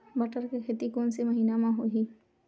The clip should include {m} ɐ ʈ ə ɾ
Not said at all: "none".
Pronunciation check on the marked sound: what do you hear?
b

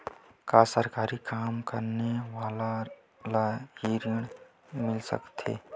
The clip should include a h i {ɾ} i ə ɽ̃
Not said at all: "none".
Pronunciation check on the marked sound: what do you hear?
ɾ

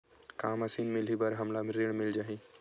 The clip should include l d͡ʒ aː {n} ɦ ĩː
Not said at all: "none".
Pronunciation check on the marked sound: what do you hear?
none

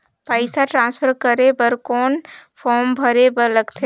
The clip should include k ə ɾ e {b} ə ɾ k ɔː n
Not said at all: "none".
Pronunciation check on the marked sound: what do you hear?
b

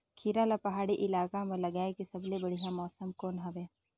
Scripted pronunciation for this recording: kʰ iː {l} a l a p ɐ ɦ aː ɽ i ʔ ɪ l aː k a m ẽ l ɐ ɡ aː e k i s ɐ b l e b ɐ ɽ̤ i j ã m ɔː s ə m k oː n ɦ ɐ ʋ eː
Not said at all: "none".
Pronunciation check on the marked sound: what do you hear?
ɾ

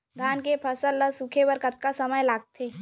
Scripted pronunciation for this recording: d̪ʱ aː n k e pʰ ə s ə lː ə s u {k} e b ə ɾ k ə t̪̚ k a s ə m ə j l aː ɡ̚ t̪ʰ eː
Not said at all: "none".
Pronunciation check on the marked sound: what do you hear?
kʰ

